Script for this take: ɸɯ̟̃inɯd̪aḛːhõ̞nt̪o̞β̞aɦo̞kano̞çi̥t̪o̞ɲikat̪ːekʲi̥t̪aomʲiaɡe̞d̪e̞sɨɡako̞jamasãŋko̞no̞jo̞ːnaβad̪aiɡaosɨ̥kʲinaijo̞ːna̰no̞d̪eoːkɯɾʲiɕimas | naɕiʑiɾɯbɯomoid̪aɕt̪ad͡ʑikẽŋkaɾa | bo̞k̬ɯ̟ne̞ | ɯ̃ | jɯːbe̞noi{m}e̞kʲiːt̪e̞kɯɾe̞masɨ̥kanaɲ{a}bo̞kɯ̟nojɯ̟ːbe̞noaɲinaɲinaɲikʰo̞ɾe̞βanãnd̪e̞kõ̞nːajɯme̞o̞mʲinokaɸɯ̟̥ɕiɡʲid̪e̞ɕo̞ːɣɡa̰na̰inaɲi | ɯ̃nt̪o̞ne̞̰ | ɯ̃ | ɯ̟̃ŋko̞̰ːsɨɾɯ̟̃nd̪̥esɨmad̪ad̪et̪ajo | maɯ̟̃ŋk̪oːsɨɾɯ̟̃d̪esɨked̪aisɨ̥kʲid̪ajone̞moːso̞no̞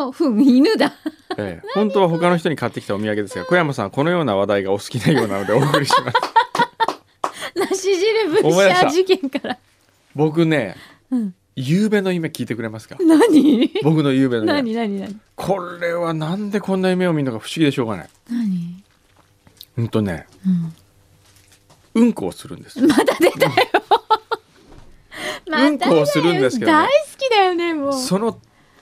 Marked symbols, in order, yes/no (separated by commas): yes, no